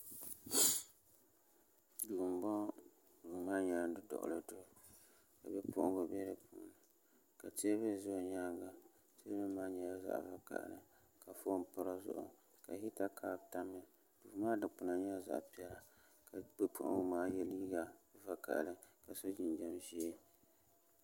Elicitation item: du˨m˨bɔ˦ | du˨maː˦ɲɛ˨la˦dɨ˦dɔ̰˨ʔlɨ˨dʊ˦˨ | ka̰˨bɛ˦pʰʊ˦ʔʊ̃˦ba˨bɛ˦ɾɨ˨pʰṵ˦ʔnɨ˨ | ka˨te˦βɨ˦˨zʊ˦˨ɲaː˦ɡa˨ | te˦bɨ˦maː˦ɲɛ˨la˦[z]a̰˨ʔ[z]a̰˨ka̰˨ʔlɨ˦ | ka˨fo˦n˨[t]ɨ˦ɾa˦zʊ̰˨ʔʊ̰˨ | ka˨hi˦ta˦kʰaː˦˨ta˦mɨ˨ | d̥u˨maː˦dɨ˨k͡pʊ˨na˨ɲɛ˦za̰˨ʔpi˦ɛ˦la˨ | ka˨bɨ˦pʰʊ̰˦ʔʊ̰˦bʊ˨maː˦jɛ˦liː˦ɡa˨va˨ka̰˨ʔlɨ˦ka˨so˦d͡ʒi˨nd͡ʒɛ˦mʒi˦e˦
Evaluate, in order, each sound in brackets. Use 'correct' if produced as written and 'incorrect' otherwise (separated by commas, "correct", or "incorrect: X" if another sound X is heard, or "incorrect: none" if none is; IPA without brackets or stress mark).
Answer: correct, incorrect: v, incorrect: p